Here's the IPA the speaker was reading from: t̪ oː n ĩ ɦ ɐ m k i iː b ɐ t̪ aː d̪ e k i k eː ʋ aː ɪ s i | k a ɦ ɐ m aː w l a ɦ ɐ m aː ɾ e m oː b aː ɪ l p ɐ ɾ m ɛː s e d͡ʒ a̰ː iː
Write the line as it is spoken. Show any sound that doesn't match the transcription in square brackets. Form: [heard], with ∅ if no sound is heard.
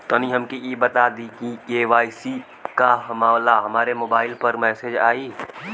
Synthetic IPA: t̪ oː n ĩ ɦ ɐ m k i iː b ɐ t̪ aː d̪ [i] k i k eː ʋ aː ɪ s i | k a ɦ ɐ m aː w l a ɦ ɐ m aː ɾ e m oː b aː ɪ l p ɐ ɾ m ɛː s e d͡ʒ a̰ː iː